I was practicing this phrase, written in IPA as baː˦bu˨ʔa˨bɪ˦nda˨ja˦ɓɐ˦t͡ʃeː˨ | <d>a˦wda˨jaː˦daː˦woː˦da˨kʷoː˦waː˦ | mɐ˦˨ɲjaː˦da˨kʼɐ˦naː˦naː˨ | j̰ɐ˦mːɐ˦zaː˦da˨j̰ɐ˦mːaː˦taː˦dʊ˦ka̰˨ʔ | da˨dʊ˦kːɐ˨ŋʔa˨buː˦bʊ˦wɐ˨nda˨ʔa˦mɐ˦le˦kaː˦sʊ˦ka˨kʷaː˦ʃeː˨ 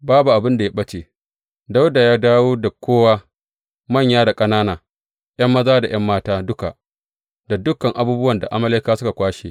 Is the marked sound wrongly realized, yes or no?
no